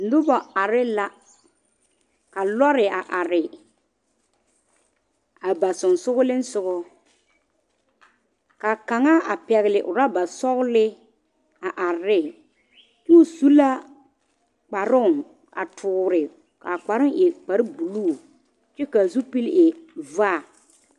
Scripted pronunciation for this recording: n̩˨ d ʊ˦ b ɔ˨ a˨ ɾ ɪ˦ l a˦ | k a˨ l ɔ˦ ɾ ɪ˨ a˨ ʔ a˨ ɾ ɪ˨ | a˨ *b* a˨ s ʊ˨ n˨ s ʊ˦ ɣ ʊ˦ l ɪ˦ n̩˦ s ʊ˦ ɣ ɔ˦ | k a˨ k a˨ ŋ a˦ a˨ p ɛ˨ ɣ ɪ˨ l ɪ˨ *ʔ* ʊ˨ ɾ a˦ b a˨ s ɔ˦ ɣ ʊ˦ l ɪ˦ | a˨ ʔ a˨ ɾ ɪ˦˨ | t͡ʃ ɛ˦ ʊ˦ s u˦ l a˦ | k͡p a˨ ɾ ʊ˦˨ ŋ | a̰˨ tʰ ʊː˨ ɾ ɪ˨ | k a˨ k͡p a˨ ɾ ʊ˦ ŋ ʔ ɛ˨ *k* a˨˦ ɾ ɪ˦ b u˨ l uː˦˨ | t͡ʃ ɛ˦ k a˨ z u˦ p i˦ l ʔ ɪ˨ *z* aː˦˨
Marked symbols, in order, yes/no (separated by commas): yes, yes, no, no